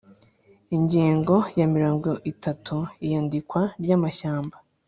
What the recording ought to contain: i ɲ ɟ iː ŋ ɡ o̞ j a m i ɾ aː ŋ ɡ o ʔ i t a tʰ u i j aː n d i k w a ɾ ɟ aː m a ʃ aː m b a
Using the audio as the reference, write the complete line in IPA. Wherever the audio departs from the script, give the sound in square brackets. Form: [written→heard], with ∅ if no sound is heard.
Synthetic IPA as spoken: i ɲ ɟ iː ŋ ɡ o̞ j a m i ɾ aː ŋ ɡ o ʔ i t a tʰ u i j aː n d i k w a ɾ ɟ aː m a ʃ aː m b a